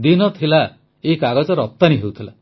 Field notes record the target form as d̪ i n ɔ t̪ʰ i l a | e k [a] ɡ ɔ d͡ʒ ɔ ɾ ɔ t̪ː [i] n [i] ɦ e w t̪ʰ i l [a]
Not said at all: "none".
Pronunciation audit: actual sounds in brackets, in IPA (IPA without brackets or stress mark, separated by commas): a, a, i, a